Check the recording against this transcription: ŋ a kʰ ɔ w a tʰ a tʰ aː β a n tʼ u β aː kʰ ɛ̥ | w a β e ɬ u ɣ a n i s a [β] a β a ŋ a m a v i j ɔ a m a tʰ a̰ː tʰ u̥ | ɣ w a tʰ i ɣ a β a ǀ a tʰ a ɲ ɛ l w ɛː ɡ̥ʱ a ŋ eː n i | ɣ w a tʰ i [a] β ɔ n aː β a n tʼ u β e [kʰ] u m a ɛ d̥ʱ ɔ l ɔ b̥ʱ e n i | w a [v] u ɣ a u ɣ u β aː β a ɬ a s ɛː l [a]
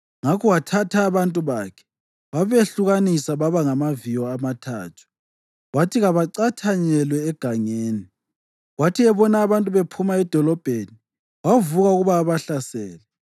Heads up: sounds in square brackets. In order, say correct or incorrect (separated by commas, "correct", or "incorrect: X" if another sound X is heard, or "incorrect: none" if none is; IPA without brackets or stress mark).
correct, incorrect: ɛ, incorrect: pʰ, correct, incorrect: ɛ